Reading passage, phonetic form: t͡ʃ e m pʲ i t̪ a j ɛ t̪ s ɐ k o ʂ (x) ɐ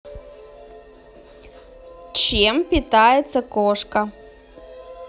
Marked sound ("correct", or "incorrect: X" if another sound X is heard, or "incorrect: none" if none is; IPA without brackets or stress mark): incorrect: k